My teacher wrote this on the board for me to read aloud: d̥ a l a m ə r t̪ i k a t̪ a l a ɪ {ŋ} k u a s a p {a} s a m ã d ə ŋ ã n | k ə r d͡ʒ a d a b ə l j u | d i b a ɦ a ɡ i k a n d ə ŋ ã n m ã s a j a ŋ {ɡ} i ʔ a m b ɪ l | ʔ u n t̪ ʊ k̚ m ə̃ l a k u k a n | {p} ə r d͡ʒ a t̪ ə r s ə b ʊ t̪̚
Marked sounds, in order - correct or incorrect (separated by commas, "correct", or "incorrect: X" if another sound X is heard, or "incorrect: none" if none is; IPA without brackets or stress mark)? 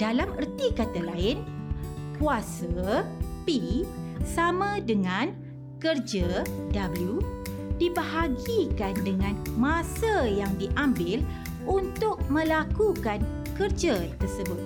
incorrect: n, incorrect: i, incorrect: d, incorrect: k